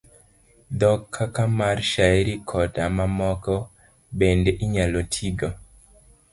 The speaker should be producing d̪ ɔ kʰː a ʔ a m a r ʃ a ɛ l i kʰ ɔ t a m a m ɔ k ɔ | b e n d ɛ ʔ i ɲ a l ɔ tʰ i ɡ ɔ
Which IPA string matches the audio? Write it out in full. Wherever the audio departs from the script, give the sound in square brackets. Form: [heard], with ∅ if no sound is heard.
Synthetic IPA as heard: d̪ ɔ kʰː a [k] a m a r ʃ a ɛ [ɾ] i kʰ ɔ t a m a m ɔ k ɔ | b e n d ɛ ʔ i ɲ a l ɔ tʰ i ɡ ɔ